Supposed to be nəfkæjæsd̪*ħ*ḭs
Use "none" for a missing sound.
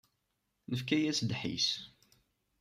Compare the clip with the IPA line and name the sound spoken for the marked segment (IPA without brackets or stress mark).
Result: ħ